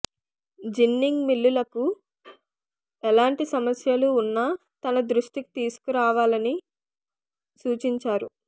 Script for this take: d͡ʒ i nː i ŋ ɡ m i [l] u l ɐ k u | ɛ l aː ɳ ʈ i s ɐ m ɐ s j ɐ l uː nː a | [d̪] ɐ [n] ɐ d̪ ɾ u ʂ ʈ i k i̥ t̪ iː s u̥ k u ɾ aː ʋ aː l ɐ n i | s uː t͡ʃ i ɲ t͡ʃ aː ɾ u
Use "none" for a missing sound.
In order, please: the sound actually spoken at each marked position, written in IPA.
lː, t̪, n

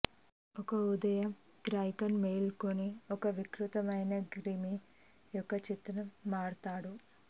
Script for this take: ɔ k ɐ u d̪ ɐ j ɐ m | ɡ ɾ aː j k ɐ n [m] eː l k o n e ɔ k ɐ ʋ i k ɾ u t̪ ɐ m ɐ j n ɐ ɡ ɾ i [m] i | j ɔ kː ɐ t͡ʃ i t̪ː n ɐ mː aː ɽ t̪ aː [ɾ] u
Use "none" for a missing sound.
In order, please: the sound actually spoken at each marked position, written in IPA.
m, m, ɽ

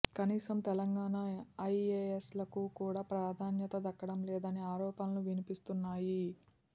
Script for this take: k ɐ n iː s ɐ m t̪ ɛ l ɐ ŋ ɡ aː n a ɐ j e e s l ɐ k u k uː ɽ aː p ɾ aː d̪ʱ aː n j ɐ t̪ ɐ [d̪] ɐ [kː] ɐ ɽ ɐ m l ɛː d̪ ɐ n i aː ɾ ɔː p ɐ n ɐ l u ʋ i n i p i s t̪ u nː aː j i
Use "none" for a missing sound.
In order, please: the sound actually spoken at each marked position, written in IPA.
d̪, kː

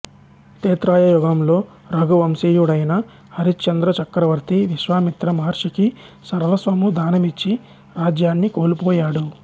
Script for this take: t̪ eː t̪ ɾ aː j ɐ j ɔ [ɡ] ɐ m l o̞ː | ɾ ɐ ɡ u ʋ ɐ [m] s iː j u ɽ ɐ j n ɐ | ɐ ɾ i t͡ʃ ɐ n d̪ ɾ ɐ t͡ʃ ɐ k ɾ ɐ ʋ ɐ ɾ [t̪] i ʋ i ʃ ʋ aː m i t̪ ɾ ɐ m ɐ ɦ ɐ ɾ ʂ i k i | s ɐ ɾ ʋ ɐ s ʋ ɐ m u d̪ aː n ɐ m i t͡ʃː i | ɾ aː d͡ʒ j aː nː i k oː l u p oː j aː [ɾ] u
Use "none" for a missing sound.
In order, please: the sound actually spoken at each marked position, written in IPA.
ɡ, m, t̪, ɽ

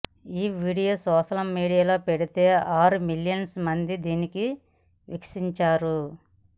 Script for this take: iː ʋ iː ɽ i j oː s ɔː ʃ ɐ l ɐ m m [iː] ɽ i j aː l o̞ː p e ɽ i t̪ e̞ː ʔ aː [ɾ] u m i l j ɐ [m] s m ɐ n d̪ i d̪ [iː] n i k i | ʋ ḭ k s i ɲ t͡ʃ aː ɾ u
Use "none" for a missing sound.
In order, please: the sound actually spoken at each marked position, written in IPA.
iː, ɾ, n, iː

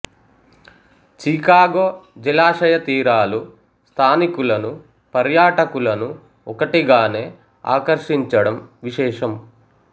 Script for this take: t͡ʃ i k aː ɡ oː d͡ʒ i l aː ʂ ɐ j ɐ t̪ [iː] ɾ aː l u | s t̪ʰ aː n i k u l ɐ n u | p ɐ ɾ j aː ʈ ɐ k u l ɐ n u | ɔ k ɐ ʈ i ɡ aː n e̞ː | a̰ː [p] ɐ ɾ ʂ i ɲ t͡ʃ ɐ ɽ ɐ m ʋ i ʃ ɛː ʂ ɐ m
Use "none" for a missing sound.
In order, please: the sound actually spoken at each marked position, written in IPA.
iː, k

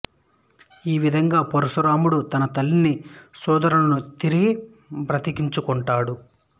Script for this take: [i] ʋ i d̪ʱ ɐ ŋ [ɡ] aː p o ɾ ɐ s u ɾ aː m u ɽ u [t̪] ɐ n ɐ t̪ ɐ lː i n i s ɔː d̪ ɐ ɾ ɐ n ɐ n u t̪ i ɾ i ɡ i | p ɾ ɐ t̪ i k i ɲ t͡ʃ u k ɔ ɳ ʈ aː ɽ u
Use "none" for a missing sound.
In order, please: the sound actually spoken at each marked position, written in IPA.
iː, ɡ, t̪

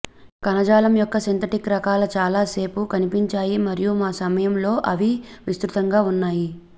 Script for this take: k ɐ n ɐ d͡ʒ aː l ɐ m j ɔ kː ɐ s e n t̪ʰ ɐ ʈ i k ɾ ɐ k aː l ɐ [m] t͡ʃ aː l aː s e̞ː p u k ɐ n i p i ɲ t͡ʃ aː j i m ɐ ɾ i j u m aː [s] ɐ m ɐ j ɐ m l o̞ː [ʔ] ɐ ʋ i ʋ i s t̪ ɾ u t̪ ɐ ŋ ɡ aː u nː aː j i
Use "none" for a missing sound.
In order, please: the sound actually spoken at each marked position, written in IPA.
none, s, ʔ

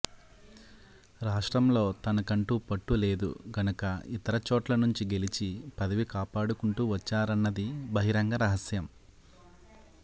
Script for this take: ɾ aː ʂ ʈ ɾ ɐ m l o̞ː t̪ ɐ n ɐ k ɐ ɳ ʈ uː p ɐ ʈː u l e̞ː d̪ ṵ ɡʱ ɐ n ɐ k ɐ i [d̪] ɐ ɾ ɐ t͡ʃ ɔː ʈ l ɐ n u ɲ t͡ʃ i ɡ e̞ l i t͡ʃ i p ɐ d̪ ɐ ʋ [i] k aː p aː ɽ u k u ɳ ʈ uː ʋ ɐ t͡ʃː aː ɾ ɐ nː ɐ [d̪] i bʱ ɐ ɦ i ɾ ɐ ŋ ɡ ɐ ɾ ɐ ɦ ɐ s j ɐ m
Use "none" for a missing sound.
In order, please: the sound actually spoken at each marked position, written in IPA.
t̪, i, d̪

